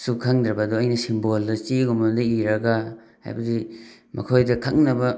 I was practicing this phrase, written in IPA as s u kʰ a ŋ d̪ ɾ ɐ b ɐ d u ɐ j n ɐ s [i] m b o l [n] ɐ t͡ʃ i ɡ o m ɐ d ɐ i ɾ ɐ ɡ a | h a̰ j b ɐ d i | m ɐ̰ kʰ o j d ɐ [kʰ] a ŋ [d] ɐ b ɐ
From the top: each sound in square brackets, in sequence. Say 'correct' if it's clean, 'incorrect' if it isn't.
correct, incorrect, correct, incorrect

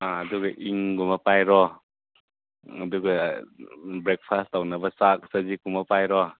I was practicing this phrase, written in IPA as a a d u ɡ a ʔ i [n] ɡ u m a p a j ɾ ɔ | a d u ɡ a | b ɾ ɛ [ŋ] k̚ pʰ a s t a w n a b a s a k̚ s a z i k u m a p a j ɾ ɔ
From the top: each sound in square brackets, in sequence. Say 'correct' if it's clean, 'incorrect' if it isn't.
incorrect, incorrect

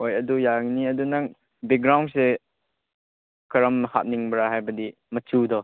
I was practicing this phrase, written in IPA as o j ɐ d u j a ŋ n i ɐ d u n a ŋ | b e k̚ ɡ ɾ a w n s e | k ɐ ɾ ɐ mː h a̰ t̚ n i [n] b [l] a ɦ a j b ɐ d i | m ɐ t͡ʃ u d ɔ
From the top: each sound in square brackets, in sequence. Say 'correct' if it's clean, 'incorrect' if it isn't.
incorrect, incorrect

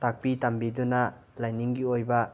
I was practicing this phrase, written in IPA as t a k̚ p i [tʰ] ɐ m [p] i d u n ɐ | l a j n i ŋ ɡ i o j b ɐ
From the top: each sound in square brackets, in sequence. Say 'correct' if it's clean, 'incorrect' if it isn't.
incorrect, incorrect

